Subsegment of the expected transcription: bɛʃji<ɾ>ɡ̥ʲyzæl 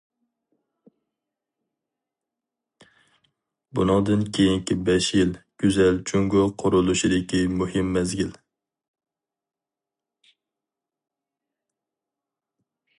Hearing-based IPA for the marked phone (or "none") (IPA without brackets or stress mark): l